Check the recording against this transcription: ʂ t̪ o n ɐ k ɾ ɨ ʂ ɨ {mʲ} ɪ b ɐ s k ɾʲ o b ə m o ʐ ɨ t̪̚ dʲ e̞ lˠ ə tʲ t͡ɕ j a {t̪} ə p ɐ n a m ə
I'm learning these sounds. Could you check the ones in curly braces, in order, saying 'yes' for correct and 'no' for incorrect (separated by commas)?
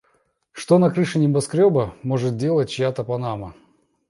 no, yes